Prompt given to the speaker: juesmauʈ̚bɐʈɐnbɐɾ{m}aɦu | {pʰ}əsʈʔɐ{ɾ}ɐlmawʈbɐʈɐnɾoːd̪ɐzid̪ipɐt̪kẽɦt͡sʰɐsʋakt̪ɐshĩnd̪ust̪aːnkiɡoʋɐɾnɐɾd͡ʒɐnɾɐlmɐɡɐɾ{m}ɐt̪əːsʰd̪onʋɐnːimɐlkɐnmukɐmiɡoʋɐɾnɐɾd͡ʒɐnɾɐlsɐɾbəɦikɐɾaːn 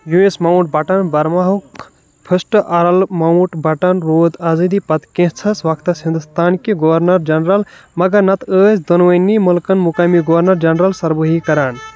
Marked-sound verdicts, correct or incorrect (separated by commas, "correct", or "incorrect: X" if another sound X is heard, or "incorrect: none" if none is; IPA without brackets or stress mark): correct, correct, correct, incorrect: n